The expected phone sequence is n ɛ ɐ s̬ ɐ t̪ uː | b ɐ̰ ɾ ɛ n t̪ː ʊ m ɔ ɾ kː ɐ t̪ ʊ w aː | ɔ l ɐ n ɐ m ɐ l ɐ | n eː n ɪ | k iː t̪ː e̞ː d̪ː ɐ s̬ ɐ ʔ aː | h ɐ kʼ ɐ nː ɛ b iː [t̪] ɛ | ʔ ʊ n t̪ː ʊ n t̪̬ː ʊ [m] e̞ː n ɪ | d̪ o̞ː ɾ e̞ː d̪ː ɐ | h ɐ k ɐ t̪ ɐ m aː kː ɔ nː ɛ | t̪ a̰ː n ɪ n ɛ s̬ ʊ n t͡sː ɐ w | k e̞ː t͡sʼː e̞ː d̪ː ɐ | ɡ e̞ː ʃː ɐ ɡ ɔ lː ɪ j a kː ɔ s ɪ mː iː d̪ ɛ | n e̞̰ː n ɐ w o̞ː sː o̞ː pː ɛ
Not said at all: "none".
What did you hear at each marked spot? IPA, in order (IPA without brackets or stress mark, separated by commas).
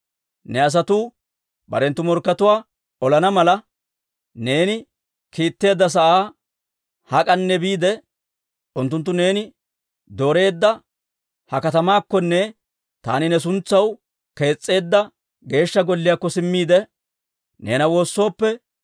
d̪, n